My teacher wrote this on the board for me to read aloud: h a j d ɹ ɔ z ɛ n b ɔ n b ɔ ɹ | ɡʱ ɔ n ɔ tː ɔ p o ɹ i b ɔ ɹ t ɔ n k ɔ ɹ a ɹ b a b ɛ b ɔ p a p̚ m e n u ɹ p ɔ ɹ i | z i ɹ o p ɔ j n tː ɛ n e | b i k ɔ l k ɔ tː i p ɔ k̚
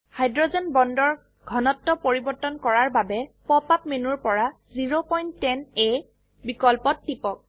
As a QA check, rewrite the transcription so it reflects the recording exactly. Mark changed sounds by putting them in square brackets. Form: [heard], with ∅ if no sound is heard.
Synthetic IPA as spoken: h a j d ɹ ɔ z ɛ n b ɔ n [d] ɔ ɹ | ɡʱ ɔ n ɔ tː ɔ p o ɹ i b ɔ ɹ t ɔ n k ɔ ɹ a ɹ b a b ɛ [p] ɔ p a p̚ m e n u ɹ p ɔ ɹ [a] | z i ɹ o p ɔ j n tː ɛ n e | b i k ɔ l [p] ɔ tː i p ɔ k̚